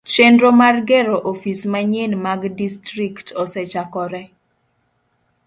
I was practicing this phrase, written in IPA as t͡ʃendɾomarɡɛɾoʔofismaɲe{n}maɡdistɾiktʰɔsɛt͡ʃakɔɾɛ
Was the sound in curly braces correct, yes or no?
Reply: yes